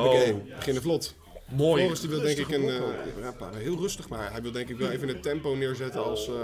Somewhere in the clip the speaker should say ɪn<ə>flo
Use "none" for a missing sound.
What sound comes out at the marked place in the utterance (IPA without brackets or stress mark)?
ə